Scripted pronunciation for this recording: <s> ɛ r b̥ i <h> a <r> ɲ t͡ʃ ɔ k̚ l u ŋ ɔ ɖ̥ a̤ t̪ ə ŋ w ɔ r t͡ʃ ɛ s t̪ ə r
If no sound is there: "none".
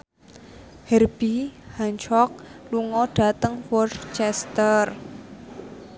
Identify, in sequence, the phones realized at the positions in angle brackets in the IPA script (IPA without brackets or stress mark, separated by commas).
h, h, none